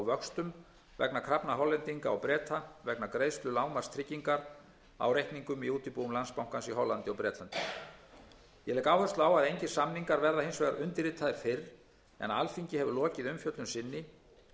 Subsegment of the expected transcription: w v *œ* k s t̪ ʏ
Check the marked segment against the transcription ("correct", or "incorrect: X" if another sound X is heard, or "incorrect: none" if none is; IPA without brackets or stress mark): correct